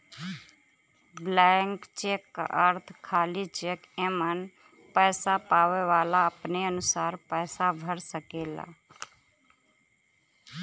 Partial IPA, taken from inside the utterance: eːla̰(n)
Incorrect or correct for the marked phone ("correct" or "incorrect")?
incorrect